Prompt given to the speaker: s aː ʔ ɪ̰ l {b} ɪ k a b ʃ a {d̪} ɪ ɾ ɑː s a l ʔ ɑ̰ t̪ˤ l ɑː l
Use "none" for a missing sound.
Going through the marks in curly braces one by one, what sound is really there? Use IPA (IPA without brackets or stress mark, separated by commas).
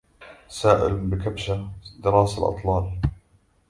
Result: b, d̪